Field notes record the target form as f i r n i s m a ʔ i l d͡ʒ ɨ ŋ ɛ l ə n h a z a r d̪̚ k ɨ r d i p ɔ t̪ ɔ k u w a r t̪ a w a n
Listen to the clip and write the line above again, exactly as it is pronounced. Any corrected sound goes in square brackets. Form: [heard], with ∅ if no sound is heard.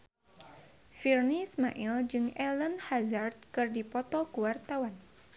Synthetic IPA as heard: f i r n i s m a ʔ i l d͡ʒ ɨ ŋ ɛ l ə n h a z a r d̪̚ k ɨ r d i p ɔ t̪ ɔ k u w a r t̪ a w a n